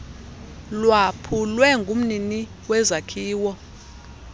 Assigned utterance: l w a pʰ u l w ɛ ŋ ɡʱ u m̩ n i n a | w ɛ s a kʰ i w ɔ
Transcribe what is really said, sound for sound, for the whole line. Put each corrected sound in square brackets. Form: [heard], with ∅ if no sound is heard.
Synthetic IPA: l w a pʰ u l w ɛ ŋ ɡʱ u m̩ n i n [i] | w ɛ [z] a kʰ [iː] w ɔ

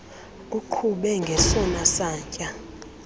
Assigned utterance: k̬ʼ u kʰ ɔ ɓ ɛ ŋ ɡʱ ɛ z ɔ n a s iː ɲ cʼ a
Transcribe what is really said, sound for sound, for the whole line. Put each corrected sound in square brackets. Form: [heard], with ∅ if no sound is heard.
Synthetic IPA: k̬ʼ u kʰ [u] ɓ ɛ ŋ ɡʱ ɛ [s] ɔ n a s [aː] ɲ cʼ a

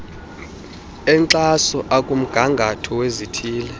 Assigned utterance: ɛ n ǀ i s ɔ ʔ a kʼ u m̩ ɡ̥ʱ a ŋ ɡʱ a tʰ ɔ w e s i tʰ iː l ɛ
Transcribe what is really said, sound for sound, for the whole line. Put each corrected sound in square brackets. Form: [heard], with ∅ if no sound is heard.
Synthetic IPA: ɛ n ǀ [a] s ɔ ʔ a kʼ u m̩ ɡ̥ʱ a ŋ ɡʱ a tʰ ɔ w e [z] i tʰ iː l ɛ

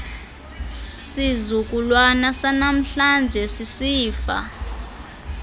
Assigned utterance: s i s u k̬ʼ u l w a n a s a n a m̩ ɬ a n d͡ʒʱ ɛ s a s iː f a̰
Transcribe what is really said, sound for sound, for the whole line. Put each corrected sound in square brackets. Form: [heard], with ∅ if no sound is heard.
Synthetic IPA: s i [z] u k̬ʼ u l w a n a s a n a m̩ ɬ a n d͡ʒʱ ɛ s [i] s iː f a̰

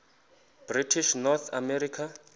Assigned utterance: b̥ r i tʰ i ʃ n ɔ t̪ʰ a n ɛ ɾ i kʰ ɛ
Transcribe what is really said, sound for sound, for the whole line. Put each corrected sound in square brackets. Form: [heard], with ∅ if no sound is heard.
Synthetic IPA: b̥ r i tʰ i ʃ n ɔ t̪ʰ a [m] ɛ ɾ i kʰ [a]

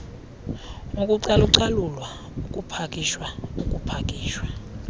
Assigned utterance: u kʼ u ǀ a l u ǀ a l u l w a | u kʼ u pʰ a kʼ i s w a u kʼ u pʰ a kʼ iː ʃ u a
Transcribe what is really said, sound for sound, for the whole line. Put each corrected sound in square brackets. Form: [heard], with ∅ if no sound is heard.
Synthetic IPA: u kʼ u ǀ a l u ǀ a l u l w a | u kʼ u pʰ a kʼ i [ʃ] w a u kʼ u pʰ a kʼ iː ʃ [w] a

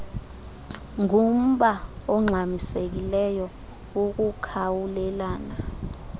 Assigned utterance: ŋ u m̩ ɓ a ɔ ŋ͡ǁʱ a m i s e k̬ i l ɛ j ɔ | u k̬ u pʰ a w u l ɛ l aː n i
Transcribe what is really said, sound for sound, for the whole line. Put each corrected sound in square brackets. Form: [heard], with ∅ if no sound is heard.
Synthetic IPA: ŋ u m̩ ɓ a ɔ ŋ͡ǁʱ a m i s e k̬ i l ɛ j ɔ | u k̬ u [kʰ] a w u l ɛ l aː n [a]

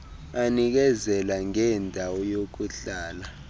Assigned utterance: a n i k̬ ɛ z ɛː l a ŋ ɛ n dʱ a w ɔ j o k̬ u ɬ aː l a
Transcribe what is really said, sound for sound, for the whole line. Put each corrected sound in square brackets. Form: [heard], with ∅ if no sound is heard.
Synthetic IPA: a n i k̬ ɛ z [ɛ] l a ŋ ɛ n dʱ a w ɔ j o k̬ u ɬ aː l a

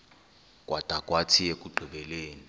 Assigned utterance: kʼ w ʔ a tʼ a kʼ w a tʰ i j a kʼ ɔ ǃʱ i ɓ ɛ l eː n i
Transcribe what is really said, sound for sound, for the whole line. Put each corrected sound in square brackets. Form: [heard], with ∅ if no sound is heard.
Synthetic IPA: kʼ w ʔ a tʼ a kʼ w a tʰ i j [e] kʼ [u] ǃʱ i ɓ ɛ l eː n i

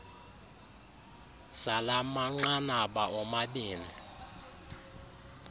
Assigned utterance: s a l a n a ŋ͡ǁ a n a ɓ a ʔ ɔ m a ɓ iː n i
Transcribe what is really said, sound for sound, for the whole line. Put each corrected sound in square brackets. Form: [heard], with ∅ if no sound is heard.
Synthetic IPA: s a l a [m] a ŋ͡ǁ a n a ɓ a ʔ ɔ m a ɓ iː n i

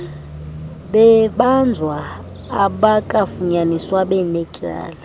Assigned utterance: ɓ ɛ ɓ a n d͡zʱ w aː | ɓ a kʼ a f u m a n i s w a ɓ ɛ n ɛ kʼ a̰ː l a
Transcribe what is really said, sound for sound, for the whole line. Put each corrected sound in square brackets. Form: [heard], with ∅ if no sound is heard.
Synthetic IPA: ɓ ɛ ɓ a n d͡zʱ w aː | ɓ a kʼ a f u [ɲ] a n i s w a ɓ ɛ n ɛ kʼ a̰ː l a

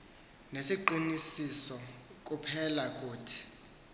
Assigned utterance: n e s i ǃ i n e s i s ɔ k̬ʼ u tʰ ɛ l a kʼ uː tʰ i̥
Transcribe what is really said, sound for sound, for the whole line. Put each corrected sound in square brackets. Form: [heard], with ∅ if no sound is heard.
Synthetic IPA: n e s i ǃ i n [i] s i s ɔ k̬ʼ u [pʰ] ɛ l a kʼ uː tʰ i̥

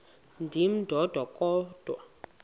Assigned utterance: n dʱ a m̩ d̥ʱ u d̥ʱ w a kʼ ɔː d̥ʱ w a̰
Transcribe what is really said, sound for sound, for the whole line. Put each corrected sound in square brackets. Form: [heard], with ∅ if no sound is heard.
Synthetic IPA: n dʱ [i] m̩ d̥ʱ [ɔ] d̥ʱ w a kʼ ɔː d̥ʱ w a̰

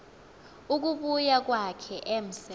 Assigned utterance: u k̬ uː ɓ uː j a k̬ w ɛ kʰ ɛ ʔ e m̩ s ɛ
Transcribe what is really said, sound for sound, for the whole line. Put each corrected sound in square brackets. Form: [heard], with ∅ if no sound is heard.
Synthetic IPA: u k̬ [u] ɓ [u] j a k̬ w [a] kʰ ɛ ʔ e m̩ s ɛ

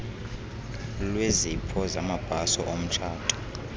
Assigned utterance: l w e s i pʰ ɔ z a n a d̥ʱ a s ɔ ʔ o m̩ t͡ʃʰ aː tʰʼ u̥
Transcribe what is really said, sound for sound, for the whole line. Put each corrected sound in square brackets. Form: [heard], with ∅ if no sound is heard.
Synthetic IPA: l w e [z] i pʰ ɔ z a [m] a [b̥ʱ] a s ɔ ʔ o m̩ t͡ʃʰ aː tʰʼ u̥

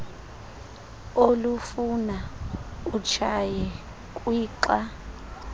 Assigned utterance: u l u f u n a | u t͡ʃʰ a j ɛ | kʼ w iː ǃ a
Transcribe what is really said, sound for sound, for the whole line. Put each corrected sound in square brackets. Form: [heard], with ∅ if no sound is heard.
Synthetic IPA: [o] l u f u n a | u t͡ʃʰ a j ɛ | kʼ w iː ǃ a

